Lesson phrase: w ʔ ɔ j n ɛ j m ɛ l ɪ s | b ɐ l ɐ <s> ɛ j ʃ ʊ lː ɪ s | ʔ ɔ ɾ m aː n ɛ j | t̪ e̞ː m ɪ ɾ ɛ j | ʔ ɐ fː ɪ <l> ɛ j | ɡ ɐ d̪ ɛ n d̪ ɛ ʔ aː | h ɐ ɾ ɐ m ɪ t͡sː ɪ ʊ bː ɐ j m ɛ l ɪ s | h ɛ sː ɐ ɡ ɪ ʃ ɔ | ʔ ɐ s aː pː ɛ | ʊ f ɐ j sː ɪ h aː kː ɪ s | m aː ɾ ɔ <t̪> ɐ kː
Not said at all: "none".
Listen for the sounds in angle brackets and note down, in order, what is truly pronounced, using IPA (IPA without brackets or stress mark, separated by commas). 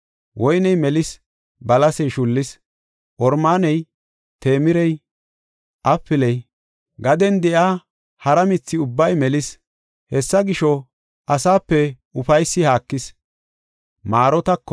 s, l, t̪